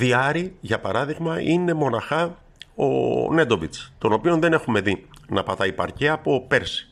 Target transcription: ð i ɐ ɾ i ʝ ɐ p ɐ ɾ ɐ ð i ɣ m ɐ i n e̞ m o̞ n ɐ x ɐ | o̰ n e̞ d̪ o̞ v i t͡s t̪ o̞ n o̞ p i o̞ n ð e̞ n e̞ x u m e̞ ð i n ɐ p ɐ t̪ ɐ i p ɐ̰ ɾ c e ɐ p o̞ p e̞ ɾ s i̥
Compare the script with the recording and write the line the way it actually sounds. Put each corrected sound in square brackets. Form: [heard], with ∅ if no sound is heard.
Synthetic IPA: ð i ɐ ɾ i ʝ ɐ p ɐ ɾ ɐ ð i ɣ m ɐ i n e̞ m o̞ n ɐ x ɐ | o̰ n e̞ d̪ o̞ v i t͡s t̪ o̞ n o̞ p i o̞ n ð e̞ n e̞ x u m e̞ ð i n ɐ p ɐ t̪ ɐ i p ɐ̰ ɾ c e ɐ p o̞ p e̞ ɾ s i̥